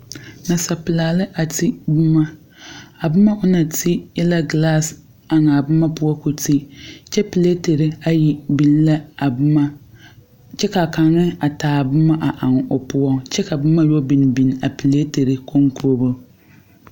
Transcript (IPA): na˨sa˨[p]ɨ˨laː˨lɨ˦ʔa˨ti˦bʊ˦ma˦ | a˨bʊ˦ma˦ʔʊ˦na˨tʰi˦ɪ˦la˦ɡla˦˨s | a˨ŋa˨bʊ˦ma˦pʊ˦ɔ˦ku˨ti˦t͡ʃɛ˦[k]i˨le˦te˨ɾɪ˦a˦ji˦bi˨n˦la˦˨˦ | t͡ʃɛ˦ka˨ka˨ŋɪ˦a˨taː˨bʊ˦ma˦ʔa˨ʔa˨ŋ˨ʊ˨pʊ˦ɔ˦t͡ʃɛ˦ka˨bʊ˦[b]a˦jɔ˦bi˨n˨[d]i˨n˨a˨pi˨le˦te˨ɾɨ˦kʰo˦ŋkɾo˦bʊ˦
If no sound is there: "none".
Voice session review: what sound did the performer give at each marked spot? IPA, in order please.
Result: p, p, m, b

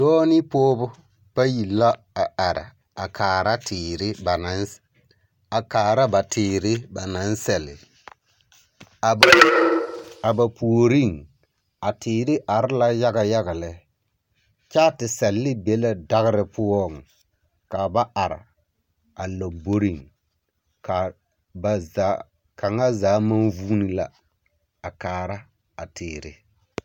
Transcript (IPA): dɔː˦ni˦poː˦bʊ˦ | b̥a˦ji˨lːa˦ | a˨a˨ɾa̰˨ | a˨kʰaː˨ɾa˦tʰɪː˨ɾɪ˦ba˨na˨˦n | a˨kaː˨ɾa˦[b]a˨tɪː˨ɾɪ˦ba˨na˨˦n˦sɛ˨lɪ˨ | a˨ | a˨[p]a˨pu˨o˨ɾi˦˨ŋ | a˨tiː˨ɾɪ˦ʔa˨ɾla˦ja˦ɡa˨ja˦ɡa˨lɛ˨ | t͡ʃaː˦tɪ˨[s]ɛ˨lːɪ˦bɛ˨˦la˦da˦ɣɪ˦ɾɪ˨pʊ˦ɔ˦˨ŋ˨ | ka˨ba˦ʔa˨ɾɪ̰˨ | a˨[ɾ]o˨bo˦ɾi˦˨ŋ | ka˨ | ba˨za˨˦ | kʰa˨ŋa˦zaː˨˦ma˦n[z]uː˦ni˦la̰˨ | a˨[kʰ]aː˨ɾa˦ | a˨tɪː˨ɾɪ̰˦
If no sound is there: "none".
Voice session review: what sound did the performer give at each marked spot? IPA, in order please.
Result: b, b, s, l, v, k

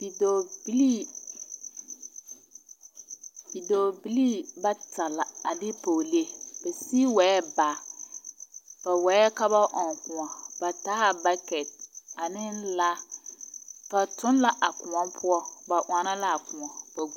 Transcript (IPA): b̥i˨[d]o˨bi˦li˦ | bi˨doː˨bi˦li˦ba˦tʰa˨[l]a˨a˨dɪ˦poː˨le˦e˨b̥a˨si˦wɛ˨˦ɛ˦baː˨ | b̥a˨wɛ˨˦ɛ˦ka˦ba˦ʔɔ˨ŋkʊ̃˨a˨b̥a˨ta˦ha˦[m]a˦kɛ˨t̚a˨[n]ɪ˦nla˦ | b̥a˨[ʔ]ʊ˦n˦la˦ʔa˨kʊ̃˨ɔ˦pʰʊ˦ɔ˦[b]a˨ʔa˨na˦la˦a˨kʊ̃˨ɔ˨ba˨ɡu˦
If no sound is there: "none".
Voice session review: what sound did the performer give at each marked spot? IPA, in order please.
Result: d, l, b, n, t, b

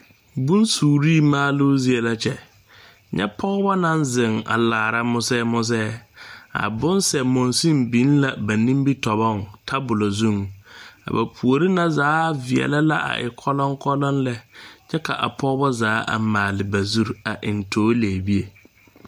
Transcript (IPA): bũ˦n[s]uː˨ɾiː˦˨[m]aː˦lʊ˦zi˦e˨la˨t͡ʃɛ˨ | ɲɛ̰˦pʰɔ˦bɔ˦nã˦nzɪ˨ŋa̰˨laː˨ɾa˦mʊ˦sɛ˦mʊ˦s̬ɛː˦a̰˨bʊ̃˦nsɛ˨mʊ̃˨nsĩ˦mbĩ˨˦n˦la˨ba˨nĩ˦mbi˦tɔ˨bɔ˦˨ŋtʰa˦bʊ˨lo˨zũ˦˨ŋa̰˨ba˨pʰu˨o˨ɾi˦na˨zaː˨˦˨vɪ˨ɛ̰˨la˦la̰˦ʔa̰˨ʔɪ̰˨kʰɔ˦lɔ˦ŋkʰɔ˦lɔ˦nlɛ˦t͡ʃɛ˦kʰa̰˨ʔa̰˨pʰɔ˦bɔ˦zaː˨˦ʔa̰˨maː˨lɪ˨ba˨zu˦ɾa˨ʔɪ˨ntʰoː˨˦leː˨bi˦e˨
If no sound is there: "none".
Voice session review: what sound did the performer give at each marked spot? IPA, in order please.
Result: s, m

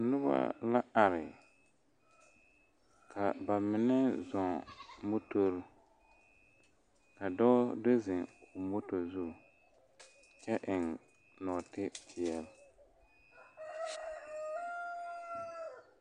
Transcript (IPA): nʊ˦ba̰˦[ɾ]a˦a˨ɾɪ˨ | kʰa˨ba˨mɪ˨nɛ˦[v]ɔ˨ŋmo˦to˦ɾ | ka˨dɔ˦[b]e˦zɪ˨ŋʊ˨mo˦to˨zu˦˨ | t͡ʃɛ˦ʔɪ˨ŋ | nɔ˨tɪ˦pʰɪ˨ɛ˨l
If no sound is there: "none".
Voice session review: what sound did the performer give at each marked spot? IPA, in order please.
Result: l, z, d

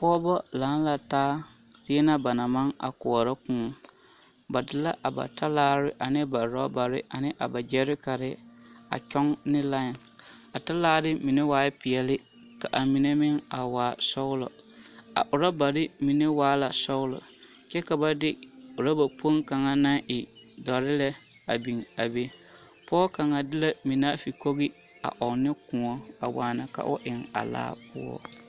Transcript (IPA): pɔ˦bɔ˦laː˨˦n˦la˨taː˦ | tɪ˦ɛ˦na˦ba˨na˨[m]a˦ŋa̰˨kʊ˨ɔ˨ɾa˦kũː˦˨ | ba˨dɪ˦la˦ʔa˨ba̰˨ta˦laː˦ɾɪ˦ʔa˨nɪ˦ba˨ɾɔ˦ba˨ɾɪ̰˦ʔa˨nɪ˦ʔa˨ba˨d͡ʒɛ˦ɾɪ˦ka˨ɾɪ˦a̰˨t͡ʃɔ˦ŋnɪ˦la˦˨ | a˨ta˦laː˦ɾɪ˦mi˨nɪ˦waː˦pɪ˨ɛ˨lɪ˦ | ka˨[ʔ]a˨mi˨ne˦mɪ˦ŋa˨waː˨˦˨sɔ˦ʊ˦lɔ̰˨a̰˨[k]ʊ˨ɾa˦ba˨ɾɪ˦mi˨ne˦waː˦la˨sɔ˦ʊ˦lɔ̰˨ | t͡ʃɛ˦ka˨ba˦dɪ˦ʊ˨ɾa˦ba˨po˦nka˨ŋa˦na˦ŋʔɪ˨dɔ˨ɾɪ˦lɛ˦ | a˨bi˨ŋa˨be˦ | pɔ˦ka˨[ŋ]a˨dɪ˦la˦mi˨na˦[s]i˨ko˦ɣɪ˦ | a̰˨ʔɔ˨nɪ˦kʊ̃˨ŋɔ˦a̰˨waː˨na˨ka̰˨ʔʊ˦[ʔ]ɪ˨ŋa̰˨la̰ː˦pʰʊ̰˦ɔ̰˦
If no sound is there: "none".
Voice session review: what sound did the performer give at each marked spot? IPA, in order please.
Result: m, ʔ, ʔ, ŋ, f, ʔ

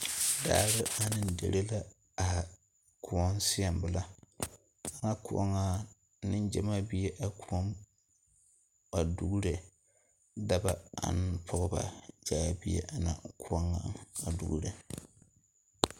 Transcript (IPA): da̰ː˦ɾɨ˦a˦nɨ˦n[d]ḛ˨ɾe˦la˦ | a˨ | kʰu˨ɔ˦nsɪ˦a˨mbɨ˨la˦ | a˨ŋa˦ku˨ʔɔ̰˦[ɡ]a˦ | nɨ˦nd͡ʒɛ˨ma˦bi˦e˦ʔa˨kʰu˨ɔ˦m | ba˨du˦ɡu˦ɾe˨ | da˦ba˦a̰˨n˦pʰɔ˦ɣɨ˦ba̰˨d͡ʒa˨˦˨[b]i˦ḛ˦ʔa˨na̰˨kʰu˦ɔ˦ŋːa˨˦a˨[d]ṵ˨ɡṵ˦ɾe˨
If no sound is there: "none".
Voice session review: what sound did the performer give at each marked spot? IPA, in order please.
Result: d, ŋ, b, d

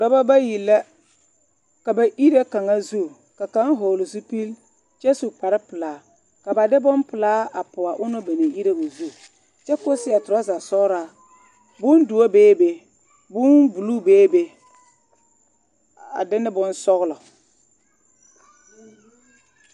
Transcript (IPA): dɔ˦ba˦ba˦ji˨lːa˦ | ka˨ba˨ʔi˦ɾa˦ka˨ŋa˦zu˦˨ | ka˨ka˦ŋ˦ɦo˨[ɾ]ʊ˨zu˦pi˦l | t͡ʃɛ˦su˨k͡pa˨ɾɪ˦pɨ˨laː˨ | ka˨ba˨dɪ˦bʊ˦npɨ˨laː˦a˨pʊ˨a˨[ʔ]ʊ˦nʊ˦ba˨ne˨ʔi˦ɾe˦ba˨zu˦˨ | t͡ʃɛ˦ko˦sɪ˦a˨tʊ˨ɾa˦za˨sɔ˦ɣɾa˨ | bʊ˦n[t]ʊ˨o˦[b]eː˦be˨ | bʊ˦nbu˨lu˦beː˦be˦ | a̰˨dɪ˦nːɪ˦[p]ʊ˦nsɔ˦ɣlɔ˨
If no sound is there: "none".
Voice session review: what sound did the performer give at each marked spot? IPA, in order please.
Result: l, ʔ, d, b, b

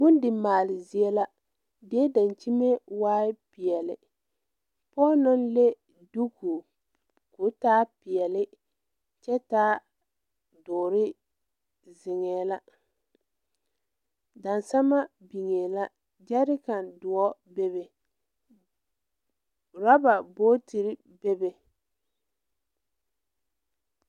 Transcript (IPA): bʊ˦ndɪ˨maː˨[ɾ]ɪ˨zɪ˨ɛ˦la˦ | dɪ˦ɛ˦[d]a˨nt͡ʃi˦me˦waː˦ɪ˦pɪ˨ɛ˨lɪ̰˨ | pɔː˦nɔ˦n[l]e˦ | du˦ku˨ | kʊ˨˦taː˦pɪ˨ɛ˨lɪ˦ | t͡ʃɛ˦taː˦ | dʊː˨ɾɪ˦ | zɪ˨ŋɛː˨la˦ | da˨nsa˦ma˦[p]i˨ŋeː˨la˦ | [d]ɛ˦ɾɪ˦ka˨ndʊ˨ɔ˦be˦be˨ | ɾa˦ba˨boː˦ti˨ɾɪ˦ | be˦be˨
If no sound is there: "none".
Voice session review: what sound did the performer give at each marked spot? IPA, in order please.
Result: l, d, l, b, d͡ʒ

